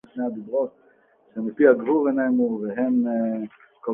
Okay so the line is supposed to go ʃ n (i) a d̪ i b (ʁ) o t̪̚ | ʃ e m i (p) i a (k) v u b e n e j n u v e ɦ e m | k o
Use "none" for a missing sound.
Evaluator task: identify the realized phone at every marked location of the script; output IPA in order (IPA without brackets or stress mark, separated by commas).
e, ʁ, p, ɡ